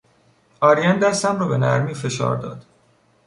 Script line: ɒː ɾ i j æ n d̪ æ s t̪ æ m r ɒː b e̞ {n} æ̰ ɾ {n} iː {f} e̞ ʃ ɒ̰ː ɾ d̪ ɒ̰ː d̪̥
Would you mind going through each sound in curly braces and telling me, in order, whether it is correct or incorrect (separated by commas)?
correct, incorrect, correct